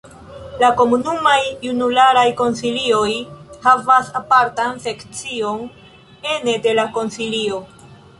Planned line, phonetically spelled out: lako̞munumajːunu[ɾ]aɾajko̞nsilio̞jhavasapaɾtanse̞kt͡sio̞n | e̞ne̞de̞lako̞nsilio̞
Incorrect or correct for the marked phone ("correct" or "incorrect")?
incorrect